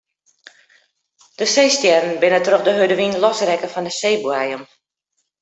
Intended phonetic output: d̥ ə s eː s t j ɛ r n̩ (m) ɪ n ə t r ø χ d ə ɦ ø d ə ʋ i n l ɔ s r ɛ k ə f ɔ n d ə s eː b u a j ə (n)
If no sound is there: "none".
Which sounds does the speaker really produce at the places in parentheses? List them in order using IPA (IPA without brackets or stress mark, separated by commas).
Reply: b, m